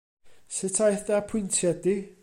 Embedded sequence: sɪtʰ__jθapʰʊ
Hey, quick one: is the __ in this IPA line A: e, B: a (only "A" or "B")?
B